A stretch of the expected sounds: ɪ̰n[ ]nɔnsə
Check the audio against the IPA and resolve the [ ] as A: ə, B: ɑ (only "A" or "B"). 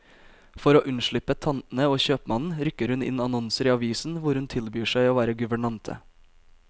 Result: B